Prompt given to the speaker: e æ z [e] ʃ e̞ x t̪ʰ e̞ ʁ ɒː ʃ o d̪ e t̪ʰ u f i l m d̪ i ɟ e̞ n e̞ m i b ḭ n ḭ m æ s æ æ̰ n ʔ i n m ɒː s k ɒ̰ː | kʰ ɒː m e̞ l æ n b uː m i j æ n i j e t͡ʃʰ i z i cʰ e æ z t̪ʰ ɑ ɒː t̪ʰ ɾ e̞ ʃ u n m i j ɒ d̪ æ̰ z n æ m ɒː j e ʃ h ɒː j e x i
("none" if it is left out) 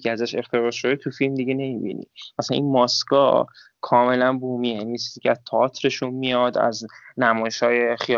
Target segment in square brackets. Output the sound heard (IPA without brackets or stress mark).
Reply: æ